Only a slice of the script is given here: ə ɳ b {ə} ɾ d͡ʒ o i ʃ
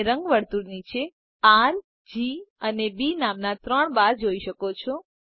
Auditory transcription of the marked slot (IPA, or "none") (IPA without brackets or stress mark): a